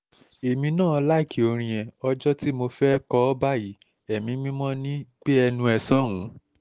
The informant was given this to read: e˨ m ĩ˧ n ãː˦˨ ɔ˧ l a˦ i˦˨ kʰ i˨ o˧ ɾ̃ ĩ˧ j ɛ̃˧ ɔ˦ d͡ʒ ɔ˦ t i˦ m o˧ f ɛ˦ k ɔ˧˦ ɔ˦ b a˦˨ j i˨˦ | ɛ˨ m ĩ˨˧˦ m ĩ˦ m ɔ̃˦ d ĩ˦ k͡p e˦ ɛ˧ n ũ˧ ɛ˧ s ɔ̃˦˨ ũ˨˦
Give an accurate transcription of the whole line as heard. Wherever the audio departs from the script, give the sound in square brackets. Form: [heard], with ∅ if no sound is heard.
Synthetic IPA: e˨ m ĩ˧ n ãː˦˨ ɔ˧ l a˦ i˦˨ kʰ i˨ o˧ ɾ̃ ĩ˧ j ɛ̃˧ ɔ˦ d͡ʒ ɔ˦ t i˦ m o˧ f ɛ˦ k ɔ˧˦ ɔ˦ b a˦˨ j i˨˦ | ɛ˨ m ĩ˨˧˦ m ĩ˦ m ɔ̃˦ [n] ĩ˦ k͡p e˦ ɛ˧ n ũ˧ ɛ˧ s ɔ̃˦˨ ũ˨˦